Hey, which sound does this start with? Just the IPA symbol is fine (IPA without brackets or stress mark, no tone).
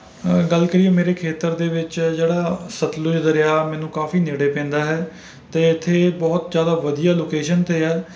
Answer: ɡ